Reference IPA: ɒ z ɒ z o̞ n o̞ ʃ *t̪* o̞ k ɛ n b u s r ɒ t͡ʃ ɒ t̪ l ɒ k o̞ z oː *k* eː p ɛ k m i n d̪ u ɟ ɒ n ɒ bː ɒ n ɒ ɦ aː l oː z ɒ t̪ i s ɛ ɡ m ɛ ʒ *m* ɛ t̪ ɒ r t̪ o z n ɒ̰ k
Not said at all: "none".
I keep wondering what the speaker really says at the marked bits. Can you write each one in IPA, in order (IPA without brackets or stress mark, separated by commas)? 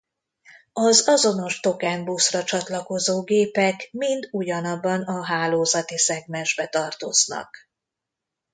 t̪, ɡ, b